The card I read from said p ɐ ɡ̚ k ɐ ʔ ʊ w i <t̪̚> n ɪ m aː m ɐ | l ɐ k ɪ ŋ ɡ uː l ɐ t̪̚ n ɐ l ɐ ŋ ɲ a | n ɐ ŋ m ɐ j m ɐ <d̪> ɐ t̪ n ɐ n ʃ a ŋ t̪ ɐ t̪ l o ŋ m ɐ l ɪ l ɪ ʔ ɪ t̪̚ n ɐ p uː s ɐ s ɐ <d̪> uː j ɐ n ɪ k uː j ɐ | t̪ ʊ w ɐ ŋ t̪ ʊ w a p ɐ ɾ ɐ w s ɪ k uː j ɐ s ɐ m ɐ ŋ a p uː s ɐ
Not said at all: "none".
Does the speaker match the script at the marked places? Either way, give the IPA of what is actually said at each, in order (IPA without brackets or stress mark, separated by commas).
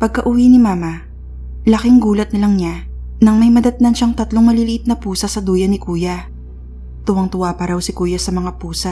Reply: none, d̪, d̪